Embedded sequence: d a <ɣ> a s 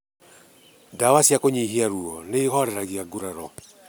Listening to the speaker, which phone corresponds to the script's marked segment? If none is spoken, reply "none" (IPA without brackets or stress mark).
w